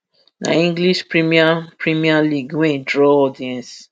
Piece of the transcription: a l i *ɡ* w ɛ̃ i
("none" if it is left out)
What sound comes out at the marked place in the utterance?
ɡ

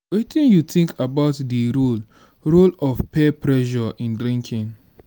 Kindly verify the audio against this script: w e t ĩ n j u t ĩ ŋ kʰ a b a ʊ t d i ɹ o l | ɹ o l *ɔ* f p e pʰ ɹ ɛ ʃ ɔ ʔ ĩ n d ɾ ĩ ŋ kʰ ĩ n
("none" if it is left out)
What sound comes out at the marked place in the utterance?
ɔ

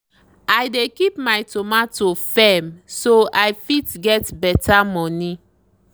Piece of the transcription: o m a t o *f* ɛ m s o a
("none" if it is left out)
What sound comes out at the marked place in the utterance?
f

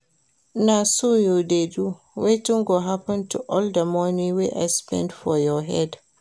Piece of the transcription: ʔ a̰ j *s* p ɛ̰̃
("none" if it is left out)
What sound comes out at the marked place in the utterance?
s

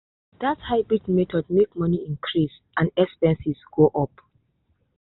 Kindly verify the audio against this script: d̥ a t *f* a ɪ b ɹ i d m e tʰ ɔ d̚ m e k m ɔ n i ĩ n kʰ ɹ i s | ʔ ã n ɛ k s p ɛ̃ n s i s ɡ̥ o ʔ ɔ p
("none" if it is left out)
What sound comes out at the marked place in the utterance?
h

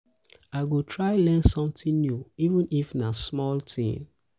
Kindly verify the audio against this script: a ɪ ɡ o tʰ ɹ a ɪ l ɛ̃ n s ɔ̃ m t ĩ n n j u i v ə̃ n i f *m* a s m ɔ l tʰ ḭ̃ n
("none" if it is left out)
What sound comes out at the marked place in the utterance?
n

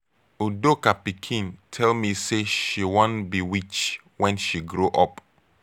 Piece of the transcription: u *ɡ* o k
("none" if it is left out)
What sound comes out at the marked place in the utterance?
d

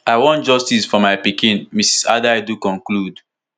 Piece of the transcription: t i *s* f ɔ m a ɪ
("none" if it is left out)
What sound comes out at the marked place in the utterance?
s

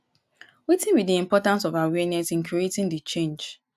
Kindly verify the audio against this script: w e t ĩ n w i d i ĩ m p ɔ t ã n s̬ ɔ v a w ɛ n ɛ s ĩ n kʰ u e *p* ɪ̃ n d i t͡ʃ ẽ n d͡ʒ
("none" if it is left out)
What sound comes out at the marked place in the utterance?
t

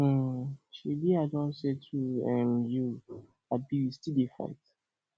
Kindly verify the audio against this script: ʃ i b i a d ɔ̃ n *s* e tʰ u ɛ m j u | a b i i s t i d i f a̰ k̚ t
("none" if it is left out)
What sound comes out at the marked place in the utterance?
s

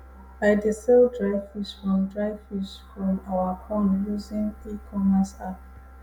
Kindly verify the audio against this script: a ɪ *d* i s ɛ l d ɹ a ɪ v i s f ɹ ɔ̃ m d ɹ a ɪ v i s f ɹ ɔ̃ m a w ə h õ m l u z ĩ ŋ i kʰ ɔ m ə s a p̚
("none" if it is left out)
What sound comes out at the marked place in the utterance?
d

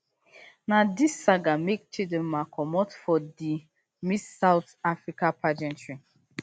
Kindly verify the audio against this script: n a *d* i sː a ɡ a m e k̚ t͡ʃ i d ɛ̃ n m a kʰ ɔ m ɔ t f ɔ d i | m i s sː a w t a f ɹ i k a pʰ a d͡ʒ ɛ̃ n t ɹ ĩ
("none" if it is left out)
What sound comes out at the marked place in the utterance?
d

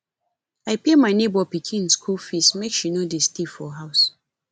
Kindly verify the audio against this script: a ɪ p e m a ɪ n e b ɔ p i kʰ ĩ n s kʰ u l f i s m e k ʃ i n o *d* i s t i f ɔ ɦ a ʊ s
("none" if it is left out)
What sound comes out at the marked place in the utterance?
d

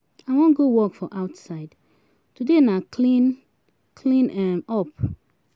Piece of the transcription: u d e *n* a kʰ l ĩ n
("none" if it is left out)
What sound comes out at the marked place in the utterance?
n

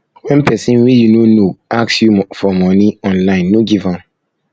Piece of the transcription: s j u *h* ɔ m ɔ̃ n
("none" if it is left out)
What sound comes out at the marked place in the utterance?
f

